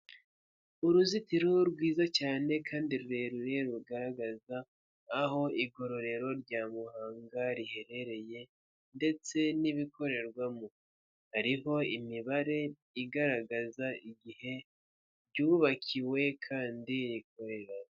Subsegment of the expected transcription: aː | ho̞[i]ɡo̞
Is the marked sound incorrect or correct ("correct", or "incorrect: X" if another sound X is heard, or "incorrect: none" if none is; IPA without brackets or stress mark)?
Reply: correct